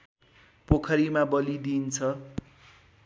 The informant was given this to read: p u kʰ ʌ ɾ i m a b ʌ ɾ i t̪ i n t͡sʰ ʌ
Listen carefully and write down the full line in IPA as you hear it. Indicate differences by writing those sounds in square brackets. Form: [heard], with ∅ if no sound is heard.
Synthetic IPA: p [o] kʰ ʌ ɾ i m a b ʌ [l] i [d̪] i n t͡sʰ ʌ